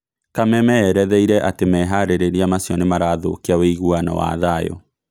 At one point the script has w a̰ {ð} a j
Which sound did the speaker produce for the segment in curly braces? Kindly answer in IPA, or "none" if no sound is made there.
ð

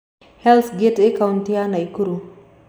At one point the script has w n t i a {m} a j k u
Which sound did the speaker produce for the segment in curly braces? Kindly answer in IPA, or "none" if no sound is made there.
n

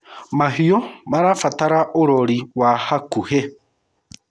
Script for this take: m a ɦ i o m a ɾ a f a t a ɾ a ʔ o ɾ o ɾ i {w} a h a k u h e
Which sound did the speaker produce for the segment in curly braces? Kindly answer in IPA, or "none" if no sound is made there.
w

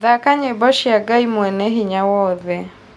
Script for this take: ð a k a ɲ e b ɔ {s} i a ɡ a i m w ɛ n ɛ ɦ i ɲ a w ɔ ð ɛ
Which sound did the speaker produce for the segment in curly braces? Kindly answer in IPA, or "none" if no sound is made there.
ʃ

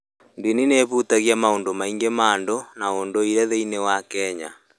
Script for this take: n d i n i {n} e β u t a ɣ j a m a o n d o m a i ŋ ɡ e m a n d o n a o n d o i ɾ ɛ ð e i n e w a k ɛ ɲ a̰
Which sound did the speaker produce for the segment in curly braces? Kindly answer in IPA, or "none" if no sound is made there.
n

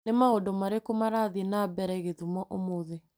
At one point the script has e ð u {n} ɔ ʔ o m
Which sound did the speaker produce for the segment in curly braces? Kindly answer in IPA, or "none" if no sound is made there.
m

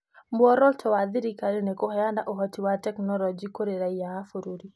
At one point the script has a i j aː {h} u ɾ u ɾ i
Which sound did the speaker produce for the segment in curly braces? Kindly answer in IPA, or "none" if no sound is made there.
f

